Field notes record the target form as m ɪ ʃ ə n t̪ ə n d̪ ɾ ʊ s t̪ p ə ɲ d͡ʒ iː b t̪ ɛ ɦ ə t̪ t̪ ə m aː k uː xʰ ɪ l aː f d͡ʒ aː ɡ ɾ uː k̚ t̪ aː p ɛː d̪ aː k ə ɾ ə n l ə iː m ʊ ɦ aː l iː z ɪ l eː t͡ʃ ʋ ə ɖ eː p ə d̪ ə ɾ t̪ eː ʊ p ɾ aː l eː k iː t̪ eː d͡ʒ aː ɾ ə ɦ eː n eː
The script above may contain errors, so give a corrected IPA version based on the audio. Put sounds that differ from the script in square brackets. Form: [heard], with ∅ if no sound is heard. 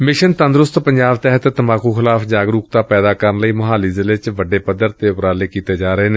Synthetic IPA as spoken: m ɪ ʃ ə n t̪ ə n d̪ ɾ ʊ s t̪ p ə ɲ d͡ʒ [aː] b t̪ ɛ ɦ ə t̪ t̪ ə m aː k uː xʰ ɪ l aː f d͡ʒ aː ɡ ɾ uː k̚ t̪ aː p ɛː d̪ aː k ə ɾ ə n l ə iː m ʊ ɦ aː l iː z ɪ l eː t͡ʃ ʋ ə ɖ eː p ə d̪ ə ɾ t̪ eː ʊ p ɾ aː l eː k iː t̪ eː d͡ʒ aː ɾ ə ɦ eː n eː

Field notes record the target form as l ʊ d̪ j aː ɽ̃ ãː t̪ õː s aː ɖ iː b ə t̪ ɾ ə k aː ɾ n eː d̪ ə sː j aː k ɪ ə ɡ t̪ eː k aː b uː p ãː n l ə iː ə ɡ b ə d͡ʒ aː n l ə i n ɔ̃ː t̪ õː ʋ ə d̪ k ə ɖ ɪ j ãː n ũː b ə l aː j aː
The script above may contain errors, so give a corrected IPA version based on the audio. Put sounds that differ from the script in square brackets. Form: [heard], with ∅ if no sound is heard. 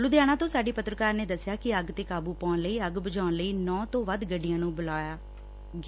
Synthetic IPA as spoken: l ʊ d̪ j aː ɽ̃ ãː t̪ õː s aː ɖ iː [p] ə t̪ ɾ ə k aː ɾ n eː d̪ ə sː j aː k ɪ ə ɡ t̪ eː k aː b uː p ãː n l ə iː ə ɡ b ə d͡ʒ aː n l ə [iː] n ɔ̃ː t̪ õː ʋ ə d̪ [ɡ] ə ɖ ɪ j ãː n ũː b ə l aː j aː

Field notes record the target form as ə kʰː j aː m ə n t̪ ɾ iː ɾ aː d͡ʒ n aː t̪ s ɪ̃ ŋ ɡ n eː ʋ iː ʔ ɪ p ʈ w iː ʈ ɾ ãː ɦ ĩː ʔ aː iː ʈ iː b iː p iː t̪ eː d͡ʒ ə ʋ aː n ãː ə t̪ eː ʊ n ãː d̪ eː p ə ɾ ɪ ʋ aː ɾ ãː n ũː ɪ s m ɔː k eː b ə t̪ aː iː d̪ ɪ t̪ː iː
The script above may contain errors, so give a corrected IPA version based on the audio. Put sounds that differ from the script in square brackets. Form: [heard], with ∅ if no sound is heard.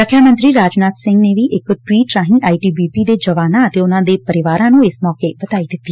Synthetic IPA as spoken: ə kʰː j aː m ə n t̪ ɾ iː ɾ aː d͡ʒ n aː t̪ s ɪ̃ ŋ ɡ n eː ʋ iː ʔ ɪ [k] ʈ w iː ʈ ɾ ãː ɦ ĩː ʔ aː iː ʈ iː b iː p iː [d̪] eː d͡ʒ ə ʋ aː n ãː ə t̪ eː ʊ n ãː d̪ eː p ə ɾ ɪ ʋ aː ɾ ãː n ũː ɪ s m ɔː k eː b ə t̪ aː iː d̪ ɪ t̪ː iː

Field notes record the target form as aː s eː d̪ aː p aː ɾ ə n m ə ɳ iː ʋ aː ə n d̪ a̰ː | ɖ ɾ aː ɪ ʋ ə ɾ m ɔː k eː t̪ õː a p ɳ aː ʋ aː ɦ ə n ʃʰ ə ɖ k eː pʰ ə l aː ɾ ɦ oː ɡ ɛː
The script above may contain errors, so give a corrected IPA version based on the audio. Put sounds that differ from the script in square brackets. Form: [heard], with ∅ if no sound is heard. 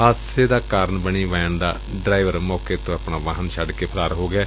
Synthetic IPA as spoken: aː s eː d̪ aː [k] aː ɾ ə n [b] ə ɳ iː ʋ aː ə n d̪ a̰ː | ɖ ɾ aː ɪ ʋ ə ɾ m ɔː k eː t̪ õː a p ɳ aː ʋ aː ɦ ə n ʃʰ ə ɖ k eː pʰ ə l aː ɾ ɦ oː ɡ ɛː

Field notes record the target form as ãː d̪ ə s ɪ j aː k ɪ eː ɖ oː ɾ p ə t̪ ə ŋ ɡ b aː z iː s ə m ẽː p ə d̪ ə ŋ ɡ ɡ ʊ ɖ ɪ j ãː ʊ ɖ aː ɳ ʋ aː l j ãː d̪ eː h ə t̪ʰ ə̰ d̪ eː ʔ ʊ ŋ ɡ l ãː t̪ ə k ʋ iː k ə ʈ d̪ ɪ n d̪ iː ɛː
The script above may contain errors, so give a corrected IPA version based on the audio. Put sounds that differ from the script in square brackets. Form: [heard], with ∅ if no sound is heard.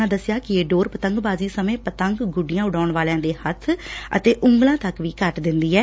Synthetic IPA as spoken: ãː d̪ ə s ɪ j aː k ɪ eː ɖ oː ɾ p ə t̪ ə ŋ ɡ b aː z iː s ə m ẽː p ə [t̪] ə ŋ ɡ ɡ ʊ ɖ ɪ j ãː ʊ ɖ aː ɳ ʋ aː l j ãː d̪ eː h ə t̪ʰ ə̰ [t̪] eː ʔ ʊ ŋ ɡ l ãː t̪ ə k ʋ iː k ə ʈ d̪ ɪ n d̪ iː ɛː

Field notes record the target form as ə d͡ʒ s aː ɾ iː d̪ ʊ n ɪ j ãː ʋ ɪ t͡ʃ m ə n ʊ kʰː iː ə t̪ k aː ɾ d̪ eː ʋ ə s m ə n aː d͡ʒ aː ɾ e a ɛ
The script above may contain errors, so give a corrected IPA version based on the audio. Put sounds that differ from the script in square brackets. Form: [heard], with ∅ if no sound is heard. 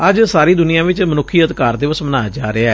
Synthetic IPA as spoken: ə d͡ʒ s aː ɾ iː d̪ ʊ n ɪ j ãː ʋ ɪ t͡ʃ m ə n ʊ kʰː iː ə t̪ k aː ɾ d̪ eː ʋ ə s m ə n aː d͡ʒ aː ɾ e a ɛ

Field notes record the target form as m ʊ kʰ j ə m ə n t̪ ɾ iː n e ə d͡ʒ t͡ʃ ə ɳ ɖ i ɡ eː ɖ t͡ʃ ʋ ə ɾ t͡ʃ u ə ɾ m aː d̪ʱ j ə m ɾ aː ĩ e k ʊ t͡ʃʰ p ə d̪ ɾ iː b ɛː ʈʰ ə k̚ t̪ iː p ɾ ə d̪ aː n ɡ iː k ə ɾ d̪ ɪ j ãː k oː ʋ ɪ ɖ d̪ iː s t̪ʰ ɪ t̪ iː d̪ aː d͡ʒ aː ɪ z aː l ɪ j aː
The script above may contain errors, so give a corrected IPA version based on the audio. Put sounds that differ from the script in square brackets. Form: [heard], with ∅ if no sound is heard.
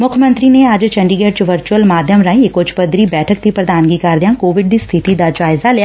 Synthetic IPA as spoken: m ʊ kʰ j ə m ə n t̪ ɾ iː n e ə d͡ʒ t͡ʃ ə ɳ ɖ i ɡ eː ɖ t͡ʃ ʋ ə ɾ t͡ʃ u ə [l] m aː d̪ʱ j ə m ɾ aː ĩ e k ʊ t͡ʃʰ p ə d̪ ɾ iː b ɛː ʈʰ ə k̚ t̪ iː p ɾ ə d̪ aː n ɡ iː k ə ɾ d̪ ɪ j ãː k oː ʋ ɪ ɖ d̪ iː s t̪ʰ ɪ t̪ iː d̪ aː d͡ʒ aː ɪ z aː l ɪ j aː

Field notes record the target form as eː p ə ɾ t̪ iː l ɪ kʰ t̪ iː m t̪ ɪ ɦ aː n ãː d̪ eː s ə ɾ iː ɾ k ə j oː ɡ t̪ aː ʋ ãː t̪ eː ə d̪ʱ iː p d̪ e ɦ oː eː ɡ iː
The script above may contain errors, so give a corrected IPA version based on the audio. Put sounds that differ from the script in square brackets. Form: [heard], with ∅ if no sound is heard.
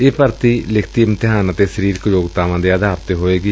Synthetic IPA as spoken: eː p ə ɾ t̪ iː l ɪ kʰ t̪ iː m t̪ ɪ ɦ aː n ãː [t̪] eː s ə ɾ iː ɾ k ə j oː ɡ t̪ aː ʋ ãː [d̪] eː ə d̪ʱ [aː] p [t̪] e ɦ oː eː ɡ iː

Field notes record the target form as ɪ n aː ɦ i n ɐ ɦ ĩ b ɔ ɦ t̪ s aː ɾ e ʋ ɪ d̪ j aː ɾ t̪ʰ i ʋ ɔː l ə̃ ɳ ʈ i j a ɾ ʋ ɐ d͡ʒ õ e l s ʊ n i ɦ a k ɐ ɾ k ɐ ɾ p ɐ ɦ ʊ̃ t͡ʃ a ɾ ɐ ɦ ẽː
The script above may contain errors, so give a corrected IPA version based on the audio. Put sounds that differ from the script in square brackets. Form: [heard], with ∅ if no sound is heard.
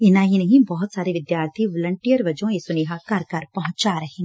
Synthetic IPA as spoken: ɪ n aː ɦ i n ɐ ɦ ĩ b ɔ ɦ t̪ s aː ɾ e ʋ ɪ d̪ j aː ɾ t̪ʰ i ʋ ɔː l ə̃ ɳ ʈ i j [ə] ɾ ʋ ɐ d͡ʒ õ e [∅] s ʊ n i ɦ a k ɐ ɾ k ɐ ɾ p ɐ ɦ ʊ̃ t͡ʃ a ɾ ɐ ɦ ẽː

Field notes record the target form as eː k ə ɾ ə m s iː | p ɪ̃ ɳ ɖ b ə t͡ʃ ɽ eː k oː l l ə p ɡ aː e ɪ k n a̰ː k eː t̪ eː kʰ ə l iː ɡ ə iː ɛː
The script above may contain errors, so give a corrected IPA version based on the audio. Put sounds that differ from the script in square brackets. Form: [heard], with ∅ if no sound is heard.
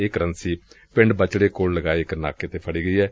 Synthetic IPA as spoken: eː k ə ɾ ə [n] s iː | p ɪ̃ ɳ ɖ b ə t͡ʃ ɽ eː k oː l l ə [∅] ɡ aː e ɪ k n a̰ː k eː t̪ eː [pʰ] ə [ɽ] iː ɡ ə iː ɛː

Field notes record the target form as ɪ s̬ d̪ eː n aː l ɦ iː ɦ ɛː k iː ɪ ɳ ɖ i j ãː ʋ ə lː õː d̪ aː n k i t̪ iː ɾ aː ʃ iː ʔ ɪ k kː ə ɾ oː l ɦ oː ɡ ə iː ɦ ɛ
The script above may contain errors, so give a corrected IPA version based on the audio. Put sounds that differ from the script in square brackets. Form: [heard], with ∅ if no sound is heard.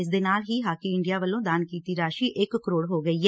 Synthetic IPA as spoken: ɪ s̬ d̪ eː n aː l ɦ iː ɦ [aː] k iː ɪ ɳ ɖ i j [aː] ʋ ə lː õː d̪ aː n k [iː] t̪ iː ɾ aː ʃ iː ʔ ɪ k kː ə ɾ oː [ɽ] ɦ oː ɡ ə iː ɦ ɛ

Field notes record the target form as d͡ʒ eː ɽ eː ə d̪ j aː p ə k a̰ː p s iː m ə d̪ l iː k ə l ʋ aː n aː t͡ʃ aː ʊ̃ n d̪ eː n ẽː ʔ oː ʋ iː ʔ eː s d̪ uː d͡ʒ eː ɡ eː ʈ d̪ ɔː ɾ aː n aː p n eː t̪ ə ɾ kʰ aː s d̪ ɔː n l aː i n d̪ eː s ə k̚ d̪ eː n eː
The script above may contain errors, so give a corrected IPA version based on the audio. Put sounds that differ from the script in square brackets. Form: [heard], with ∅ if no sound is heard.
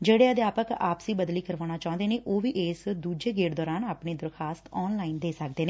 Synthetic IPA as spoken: d͡ʒ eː ɽ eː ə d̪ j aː p ə k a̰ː p s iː [b] ə d̪ l iː k ə [ɾ] ʋ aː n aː t͡ʃ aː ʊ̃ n d̪ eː n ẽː ʔ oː ʋ iː ʔ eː s d̪ uː d͡ʒ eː ɡ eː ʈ d̪ ɔː ɾ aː n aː p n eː [d̪] ə ɾ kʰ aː s [t̪] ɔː n l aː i n d̪ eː s ə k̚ d̪ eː n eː

